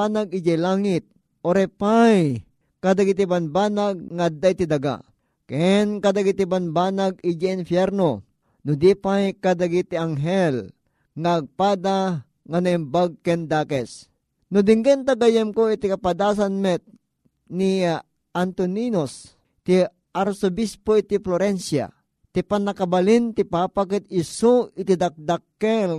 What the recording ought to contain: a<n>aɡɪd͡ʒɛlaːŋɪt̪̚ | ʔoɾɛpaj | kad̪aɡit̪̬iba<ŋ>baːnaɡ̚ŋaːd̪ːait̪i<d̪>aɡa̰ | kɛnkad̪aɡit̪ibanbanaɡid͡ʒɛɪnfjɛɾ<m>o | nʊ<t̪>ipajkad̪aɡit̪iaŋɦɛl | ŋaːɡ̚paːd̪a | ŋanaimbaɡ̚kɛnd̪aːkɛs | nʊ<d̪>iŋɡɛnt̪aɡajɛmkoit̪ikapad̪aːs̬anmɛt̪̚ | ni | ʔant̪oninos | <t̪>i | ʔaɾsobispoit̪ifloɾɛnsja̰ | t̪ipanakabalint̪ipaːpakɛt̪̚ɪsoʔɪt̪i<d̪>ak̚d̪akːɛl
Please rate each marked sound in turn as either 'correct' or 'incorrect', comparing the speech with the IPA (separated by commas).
correct, incorrect, correct, incorrect, incorrect, correct, correct, correct